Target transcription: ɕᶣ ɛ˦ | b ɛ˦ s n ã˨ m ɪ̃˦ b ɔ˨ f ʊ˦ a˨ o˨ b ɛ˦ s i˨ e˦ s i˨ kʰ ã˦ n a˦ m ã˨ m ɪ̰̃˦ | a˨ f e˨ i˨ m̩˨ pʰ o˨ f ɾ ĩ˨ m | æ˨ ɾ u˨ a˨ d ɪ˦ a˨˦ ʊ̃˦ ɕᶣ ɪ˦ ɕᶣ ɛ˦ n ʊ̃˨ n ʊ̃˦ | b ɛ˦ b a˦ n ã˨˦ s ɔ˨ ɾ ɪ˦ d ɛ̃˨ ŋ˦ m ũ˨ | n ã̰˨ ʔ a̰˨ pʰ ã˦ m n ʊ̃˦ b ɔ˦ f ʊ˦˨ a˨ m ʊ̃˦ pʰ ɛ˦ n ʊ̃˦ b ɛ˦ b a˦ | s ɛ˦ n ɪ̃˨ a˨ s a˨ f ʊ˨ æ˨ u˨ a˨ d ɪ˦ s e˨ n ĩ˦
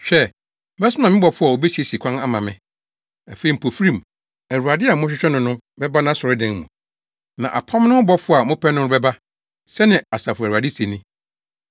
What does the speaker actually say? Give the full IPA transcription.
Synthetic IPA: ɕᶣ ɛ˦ | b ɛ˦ s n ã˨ m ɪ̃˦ b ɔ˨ f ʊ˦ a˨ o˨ b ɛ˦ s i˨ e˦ s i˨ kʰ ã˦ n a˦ m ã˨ m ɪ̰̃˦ | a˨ f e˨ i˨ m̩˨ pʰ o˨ f ɾ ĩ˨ m | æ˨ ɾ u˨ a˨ d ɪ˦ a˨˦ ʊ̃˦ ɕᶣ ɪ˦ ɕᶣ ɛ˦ n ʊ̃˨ n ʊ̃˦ | b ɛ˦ b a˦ n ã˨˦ s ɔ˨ ɾ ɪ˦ d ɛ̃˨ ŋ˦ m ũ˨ | n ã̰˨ ʔ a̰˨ pʰ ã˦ m n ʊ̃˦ b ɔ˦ f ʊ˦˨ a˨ m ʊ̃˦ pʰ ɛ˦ n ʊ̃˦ b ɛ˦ b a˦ | s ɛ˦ n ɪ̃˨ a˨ s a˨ f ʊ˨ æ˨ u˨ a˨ d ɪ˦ s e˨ n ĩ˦